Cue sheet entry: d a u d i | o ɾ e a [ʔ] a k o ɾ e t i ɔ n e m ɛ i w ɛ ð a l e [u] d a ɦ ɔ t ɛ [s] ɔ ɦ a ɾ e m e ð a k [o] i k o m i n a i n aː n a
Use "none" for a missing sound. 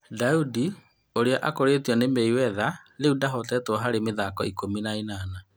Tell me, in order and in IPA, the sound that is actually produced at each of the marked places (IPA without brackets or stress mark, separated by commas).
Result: ʔ, u, t, ɔ